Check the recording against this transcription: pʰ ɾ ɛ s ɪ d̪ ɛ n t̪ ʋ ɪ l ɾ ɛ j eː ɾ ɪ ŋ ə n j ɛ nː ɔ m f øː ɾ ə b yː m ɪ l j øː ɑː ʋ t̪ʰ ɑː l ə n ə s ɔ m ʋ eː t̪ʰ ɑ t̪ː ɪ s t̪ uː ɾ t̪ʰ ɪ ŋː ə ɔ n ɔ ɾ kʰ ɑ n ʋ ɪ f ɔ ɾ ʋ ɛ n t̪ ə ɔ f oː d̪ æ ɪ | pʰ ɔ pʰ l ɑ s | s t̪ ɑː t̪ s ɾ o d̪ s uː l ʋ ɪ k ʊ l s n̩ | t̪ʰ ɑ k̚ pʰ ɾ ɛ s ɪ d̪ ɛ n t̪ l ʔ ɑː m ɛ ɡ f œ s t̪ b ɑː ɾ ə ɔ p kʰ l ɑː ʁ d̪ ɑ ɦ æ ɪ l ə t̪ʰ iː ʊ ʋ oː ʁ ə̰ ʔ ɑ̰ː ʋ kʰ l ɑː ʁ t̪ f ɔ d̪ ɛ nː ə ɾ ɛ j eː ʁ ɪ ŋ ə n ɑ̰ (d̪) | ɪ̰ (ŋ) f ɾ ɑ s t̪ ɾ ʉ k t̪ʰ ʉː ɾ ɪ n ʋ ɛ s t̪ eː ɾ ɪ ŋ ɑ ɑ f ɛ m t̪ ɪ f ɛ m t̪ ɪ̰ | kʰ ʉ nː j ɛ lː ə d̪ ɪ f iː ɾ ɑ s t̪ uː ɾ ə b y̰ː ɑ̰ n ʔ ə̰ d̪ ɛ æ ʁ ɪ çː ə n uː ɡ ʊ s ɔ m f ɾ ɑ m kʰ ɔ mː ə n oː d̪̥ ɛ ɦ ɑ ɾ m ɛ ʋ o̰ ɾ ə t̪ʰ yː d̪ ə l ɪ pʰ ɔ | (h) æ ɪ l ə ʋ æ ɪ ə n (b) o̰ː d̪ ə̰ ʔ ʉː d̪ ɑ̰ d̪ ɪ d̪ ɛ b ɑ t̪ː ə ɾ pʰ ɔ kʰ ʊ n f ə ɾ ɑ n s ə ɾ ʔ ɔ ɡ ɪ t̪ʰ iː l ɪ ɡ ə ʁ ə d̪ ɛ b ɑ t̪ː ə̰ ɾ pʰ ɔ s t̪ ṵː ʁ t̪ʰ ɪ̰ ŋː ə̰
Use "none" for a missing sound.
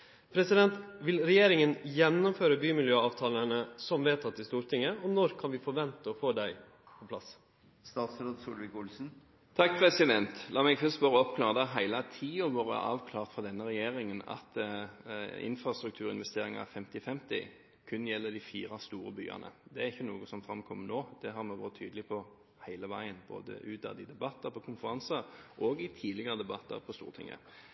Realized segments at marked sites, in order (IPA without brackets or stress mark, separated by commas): t̪, n, h, b